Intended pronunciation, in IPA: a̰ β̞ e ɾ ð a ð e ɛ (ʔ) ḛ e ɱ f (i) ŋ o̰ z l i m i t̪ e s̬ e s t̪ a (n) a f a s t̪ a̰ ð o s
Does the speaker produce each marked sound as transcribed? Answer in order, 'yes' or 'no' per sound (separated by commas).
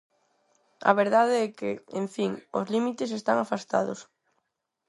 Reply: no, yes, no